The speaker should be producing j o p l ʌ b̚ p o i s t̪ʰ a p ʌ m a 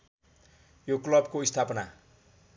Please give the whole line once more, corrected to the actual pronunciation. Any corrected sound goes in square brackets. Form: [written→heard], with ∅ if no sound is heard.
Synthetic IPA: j o [p→k] l ʌ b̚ [p→k] o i s t̪ʰ a p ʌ [m→n] a